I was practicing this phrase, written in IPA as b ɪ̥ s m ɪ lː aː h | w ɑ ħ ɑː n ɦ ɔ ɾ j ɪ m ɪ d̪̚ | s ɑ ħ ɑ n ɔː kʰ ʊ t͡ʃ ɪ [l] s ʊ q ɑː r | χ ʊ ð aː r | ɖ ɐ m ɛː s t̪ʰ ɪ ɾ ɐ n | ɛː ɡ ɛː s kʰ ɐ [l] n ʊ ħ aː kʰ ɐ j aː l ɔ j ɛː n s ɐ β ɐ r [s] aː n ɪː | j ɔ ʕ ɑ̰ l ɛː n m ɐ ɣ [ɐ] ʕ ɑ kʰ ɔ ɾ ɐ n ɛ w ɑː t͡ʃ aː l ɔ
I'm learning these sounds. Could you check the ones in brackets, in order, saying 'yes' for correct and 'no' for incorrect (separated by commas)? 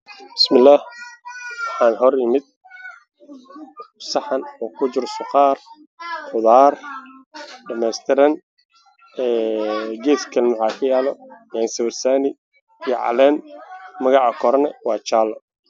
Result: no, yes, yes, no